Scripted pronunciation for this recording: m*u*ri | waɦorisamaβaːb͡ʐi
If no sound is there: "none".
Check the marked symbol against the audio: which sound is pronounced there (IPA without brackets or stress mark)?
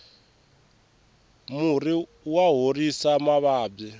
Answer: u